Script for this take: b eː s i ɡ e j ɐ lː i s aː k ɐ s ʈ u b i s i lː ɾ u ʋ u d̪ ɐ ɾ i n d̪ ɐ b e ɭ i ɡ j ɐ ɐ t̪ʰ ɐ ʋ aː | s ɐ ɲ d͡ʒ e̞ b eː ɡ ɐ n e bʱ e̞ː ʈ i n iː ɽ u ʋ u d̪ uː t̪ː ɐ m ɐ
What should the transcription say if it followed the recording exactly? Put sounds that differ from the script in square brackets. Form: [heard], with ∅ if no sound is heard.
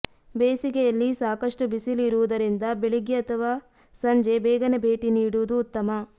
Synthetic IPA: b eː s i ɡ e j ɐ lː i s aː k ɐ [ʂ] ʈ u b i s i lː ɾ u ʋ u d̪ ɐ ɾ i n d̪ ɐ b e ɭ i ɡ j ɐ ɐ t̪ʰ ɐ ʋ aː | s ɐ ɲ d͡ʒ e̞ b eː ɡ ɐ n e bʱ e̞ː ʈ i n iː ɽ u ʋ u d̪ uː t̪ː ɐ m ɐ